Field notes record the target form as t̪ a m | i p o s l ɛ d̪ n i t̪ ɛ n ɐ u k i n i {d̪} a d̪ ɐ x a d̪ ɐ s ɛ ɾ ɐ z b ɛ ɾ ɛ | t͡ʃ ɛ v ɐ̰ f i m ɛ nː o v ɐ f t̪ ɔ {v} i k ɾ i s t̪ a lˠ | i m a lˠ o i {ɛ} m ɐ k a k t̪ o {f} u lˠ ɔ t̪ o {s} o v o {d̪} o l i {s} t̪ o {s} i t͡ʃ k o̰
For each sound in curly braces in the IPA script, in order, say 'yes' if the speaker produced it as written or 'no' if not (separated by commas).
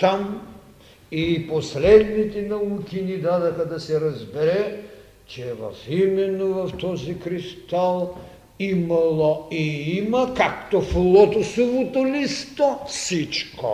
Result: yes, no, no, yes, yes, no, yes, yes